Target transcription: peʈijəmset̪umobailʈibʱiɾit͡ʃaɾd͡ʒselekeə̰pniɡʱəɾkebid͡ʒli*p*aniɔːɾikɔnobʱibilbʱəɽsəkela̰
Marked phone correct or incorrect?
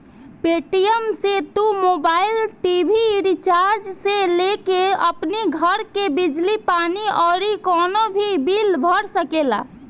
correct